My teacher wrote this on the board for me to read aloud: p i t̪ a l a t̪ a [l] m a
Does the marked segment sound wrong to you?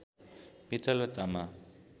yes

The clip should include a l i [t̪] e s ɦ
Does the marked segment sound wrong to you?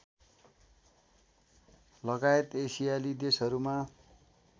yes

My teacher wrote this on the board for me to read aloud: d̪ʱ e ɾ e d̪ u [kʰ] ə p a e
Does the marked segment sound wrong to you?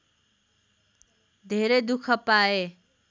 no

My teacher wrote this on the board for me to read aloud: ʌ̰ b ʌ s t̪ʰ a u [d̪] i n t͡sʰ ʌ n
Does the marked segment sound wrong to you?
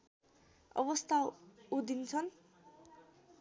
no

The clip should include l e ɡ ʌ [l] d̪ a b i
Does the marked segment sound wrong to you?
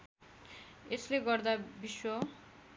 yes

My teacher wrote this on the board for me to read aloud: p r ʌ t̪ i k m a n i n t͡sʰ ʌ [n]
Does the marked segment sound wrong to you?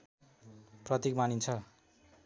yes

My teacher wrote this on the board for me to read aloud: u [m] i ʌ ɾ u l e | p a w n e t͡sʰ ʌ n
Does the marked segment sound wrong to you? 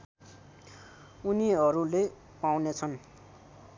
yes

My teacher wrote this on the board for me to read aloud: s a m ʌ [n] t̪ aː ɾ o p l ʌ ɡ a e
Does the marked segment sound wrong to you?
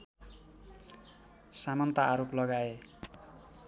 no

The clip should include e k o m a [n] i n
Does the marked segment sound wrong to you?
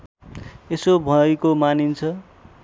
no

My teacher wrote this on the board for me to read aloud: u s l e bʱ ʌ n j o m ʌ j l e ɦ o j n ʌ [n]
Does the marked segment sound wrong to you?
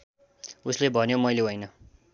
yes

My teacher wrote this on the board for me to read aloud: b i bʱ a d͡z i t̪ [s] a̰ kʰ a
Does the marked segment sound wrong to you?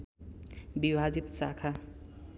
no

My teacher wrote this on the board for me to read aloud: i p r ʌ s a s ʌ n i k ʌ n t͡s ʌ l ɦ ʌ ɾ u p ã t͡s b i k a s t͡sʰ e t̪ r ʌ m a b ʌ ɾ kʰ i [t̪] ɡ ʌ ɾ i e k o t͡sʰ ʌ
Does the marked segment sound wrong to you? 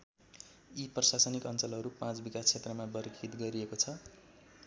no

